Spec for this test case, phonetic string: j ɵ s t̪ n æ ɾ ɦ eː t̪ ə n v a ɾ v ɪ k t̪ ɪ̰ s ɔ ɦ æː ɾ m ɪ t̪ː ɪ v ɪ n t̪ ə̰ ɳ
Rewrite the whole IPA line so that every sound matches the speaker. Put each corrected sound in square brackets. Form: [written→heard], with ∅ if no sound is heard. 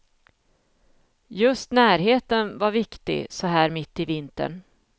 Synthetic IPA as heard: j ɵ s t̪ n [æ→æː] ɾ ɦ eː t̪ ə n v a ɾ v ɪ k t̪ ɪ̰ s ɔ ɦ æː ɾ m ɪ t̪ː ɪ v ɪ n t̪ ə̰ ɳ